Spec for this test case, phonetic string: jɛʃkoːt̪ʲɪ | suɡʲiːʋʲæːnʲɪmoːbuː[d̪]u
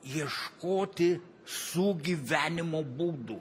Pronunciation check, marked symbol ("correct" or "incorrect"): correct